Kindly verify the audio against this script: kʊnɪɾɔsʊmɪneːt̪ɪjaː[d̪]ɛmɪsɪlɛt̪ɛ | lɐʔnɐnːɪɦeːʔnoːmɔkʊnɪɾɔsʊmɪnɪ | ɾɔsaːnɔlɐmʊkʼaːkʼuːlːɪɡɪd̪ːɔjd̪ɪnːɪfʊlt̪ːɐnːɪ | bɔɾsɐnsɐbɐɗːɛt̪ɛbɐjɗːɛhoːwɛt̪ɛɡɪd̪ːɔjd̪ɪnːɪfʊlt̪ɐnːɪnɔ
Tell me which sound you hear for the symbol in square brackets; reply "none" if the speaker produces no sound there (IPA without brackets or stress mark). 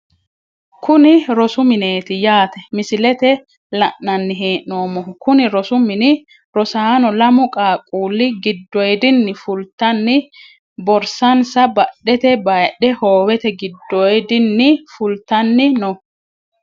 t̪